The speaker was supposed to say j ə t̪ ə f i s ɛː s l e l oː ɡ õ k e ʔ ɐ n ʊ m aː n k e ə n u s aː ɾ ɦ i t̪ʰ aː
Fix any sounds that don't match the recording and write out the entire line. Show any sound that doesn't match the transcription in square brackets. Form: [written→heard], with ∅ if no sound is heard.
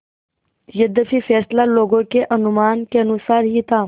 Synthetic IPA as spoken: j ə [t̪→d̪] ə f i [s→f] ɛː s l [e→a] l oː ɡ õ k e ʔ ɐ n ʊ m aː n k e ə n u s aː ɾ ɦ i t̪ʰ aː

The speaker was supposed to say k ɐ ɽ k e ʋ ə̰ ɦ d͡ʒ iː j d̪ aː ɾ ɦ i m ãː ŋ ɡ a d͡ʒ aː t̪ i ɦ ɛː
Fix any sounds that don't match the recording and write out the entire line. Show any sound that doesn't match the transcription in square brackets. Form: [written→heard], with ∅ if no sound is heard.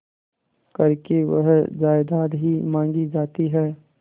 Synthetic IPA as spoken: k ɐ [ɽ→ɾ] k e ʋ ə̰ ɦ d͡ʒ [iː→aː] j d̪ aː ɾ ɦ i m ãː ŋ ɡ [a→i] d͡ʒ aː t̪ i ɦ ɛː

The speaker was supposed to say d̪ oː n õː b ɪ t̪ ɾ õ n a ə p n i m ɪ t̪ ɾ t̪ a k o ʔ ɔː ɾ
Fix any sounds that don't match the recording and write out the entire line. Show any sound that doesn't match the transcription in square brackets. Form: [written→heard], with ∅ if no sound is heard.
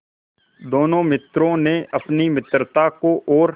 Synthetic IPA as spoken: d̪ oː n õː [b→m] ɪ t̪ ɾ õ n [a→e] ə p n i m ɪ t̪ ɾ t̪ a k o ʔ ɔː ɾ

